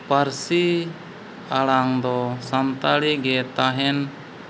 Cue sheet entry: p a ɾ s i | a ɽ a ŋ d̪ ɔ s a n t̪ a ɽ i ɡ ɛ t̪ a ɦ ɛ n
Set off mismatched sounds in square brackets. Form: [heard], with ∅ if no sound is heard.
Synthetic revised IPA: p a ɾ s i | a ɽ a ŋ d̪ ɔ s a n t̪ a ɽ i ɡ ɛ t̪ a ɦ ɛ n

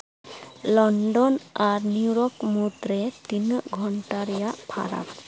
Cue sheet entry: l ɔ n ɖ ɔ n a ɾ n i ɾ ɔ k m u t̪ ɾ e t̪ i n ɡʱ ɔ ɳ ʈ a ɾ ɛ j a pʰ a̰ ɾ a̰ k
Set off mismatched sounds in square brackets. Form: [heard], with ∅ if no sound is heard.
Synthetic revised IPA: l ɔ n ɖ ɔ n a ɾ n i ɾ ɔ k m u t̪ ɾ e t̪ i n ɡʱ ɔ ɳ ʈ a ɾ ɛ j a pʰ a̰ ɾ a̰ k

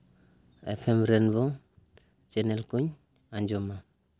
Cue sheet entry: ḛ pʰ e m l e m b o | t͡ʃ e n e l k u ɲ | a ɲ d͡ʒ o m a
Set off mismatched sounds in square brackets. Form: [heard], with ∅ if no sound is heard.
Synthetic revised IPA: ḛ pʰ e m [ɾ] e [n] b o | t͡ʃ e n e l k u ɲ | a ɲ d͡ʒ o m a

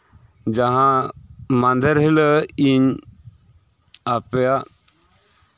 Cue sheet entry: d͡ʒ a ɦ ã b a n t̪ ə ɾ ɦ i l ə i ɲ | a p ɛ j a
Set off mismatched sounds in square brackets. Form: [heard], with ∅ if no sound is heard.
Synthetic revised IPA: d͡ʒ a ɦ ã [m] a n [d̪] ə ɾ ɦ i l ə i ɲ | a p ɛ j a

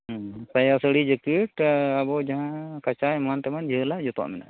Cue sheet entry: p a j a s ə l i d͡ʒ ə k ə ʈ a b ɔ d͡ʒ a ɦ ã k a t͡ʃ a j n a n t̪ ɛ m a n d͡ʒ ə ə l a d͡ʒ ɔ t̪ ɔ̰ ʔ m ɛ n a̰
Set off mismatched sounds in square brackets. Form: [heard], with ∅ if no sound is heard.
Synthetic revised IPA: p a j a s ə [ɽ] i d͡ʒ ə k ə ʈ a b ɔ d͡ʒ a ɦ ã k a t͡ʃ a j [m] a n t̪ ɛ m a n d͡ʒ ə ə l a d͡ʒ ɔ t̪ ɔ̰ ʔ m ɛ n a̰

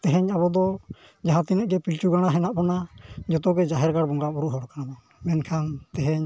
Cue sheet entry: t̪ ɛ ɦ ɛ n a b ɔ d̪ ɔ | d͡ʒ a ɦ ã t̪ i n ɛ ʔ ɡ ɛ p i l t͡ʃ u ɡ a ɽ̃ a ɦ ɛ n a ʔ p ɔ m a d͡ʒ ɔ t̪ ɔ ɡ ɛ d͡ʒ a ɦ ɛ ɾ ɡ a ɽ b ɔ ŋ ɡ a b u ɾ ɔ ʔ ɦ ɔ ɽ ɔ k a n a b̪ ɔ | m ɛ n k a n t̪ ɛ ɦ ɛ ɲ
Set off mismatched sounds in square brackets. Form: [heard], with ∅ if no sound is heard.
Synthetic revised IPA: t̪ ɛ ɦ ɛ [ɲ] a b ɔ d̪ ɔ | d͡ʒ a ɦ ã t̪ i n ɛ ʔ ɡ ɛ p i l t͡ʃ u ɡ a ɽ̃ a ɦ ɛ n a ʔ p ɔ [n] a d͡ʒ ɔ t̪ ɔ ɡ ɛ d͡ʒ a ɦ ɛ ɾ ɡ a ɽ b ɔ ŋ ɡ a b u ɾ [u] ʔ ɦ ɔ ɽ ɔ k a n a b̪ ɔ | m ɛ n [kʰ] a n t̪ ɛ ɦ ɛ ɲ

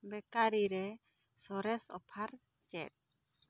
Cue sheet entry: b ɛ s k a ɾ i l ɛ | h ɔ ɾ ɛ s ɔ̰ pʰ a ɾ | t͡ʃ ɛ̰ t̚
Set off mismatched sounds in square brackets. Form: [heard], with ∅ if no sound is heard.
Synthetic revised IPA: b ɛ [∅] k a ɾ i [ɾ] ɛ | [s] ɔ ɾ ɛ s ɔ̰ pʰ a ɾ | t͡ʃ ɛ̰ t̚

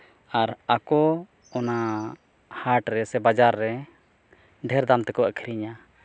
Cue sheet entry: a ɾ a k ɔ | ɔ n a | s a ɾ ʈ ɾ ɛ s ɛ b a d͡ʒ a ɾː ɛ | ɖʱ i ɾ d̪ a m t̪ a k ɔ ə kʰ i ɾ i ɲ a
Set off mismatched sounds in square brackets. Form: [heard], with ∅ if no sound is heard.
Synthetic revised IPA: a ɾ a k ɔ | ɔ n a | [h] a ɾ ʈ ɾ ɛ s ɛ b a d͡ʒ a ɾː ɛ | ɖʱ [ɛ] ɾ d̪ a m t̪ [ɛ] k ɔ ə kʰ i ɾ i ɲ a

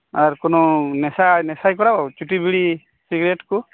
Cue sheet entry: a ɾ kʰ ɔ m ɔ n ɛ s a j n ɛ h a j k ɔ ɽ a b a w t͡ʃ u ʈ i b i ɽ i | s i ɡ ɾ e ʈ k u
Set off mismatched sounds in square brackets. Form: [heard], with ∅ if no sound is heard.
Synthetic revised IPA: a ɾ [k] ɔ [n] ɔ n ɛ s a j n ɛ [s] a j k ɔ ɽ a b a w t͡ʃ u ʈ i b i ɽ i | s i ɡ ɾ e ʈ k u

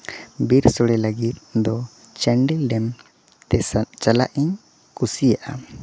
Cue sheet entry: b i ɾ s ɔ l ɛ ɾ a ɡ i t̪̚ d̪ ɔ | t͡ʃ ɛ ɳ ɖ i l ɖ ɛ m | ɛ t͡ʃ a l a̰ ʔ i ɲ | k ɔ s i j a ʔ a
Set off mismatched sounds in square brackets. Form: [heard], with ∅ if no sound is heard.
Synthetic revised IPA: b i ɾ s ɔ [ɽ] ɛ [l] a ɡ i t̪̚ d̪ ɔ | t͡ʃ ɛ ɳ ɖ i l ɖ ɛ m | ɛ t͡ʃ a l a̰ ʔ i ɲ | k [u] s i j a ʔ a

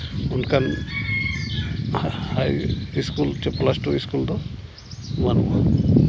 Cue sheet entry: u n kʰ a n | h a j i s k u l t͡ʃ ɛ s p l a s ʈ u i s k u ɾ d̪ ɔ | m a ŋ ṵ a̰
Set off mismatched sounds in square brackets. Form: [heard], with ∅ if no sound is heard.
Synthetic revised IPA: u n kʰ a n | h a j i s k u l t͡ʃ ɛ [∅] p l a s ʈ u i s k u [l] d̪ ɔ | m a [n] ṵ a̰

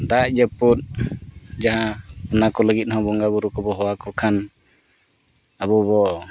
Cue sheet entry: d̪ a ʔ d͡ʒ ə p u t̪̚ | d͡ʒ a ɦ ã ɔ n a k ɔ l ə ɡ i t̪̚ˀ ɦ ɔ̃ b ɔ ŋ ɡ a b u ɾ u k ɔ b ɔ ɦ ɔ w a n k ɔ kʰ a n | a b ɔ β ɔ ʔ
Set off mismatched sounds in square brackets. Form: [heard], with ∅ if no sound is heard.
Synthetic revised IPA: d̪ a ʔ d͡ʒ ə p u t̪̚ | d͡ʒ a ɦ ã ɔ n a k ɔ l ə ɡ i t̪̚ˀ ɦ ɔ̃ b ɔ ŋ ɡ a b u ɾ u k ɔ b ɔ ɦ ɔ w a [∅] k ɔ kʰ a n | a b ɔ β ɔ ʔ

